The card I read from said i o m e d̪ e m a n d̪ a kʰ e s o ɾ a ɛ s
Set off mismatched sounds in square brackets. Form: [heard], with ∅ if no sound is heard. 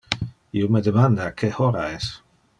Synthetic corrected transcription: i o m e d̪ e m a n d̪ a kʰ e [h] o ɾ a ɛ s